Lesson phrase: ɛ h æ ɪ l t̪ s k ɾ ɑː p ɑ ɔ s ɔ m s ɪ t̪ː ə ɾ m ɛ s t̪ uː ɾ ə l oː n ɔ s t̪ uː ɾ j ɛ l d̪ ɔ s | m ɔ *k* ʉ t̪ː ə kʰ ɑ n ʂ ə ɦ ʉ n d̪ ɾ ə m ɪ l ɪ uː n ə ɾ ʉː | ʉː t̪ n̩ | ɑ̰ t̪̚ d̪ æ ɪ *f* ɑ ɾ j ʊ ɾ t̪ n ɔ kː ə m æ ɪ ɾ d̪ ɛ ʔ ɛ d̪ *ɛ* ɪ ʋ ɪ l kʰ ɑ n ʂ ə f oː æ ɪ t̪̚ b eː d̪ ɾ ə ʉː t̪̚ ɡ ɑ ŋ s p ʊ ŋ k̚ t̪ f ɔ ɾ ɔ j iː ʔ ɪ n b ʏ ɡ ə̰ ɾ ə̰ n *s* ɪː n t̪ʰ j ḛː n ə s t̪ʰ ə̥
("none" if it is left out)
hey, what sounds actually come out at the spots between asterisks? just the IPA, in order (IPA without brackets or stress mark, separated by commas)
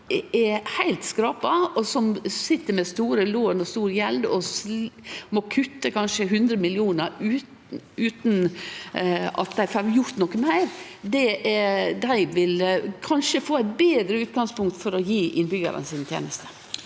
kʰ, f, æ, s